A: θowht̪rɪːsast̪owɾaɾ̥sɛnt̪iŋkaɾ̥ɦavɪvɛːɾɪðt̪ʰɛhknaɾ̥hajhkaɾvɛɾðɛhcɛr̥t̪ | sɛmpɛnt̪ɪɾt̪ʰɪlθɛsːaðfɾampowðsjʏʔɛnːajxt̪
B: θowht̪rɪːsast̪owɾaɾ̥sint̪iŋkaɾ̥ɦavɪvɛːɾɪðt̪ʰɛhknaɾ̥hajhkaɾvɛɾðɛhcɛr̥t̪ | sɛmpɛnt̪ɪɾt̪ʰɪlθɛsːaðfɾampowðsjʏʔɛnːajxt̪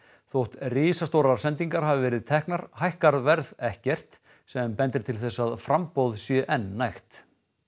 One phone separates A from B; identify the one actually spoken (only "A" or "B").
A